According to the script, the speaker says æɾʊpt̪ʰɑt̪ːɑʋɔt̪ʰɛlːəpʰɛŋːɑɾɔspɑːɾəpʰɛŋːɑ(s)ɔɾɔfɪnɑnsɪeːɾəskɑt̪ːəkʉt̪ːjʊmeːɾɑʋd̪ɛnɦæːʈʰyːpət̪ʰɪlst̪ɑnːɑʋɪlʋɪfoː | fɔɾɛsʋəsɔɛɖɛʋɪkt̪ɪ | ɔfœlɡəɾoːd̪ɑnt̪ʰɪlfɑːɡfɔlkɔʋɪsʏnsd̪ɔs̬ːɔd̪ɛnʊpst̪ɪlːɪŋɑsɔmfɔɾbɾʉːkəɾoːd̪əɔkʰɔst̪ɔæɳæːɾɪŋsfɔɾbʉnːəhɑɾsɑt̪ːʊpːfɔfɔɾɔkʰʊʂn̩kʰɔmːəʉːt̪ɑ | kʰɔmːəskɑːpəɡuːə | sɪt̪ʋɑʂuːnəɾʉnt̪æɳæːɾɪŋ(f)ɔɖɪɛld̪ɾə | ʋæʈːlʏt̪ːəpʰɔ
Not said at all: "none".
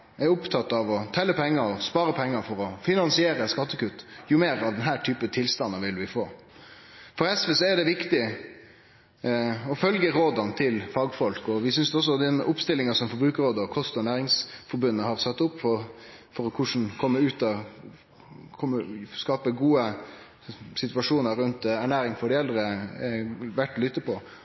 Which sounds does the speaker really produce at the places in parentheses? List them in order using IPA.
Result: f, f

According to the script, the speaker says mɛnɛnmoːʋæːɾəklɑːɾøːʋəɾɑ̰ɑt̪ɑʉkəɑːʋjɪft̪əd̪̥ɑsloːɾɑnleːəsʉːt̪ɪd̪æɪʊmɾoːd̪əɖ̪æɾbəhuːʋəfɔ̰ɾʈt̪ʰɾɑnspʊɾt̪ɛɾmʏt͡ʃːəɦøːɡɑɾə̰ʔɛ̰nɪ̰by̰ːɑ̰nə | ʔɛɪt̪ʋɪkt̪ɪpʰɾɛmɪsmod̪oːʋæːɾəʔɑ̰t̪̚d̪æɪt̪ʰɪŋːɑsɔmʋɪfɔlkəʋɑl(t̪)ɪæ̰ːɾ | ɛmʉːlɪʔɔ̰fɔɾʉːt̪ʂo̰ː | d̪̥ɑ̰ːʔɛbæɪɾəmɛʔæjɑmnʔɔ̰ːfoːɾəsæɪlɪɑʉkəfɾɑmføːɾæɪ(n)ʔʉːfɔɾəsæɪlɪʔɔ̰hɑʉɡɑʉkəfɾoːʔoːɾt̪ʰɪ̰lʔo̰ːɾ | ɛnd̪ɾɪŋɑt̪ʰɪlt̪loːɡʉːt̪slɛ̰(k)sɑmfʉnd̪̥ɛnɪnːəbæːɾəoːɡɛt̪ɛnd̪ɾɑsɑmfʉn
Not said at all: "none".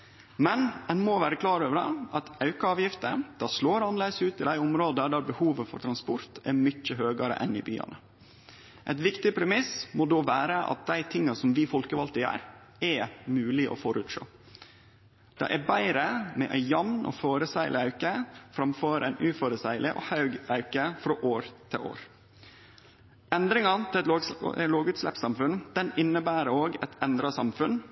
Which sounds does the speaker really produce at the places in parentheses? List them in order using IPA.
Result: t̪, n, p

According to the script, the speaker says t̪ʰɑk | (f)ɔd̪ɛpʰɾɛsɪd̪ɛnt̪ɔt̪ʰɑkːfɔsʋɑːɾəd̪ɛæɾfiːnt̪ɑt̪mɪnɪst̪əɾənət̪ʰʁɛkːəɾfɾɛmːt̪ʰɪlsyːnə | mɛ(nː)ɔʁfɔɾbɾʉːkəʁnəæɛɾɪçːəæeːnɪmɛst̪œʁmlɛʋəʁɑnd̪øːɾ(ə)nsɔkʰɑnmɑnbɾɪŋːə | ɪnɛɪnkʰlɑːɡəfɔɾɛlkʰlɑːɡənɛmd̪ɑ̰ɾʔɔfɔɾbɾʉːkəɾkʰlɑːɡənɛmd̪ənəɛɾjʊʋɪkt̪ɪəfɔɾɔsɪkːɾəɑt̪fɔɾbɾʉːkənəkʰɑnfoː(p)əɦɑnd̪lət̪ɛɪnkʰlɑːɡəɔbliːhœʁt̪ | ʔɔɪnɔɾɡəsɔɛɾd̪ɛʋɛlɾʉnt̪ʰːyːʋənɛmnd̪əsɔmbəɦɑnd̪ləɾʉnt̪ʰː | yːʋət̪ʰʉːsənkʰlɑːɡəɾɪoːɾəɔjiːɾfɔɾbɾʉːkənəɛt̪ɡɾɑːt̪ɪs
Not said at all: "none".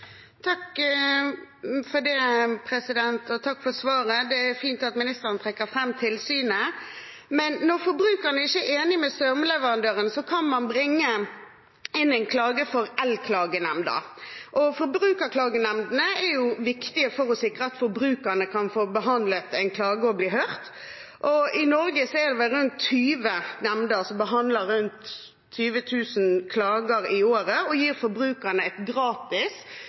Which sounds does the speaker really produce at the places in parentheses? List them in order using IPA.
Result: f, nː, ə, b

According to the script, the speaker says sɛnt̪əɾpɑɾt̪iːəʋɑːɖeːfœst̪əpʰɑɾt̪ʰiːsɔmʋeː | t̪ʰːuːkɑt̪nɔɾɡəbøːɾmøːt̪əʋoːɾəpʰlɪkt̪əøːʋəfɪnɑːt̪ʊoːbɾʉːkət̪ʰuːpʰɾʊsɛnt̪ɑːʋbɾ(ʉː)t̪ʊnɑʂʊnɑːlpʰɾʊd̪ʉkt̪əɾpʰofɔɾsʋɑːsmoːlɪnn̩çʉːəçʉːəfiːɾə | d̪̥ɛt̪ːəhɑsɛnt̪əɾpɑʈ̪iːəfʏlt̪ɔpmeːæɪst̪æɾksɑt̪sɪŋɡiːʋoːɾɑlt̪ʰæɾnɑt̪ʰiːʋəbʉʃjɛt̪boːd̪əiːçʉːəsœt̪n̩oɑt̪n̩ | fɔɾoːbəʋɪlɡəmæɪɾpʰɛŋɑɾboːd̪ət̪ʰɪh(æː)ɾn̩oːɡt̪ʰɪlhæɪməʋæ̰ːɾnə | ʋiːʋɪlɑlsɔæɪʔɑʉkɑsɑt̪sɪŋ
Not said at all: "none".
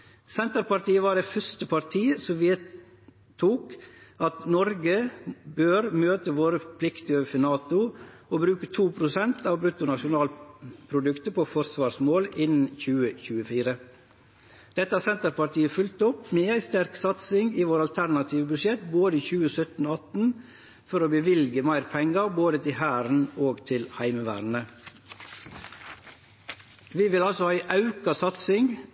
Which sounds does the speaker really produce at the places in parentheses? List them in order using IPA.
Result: ʉ, æː

